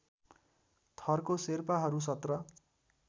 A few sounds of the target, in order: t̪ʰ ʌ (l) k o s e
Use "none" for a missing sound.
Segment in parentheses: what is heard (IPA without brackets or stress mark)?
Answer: r